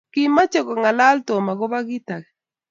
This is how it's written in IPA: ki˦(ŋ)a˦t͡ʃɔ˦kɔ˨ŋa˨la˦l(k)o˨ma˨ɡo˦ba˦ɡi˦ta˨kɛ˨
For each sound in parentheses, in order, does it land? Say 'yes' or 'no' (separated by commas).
no, no